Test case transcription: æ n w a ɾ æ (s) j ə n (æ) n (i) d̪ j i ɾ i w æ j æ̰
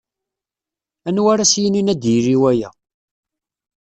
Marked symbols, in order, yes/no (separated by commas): yes, no, no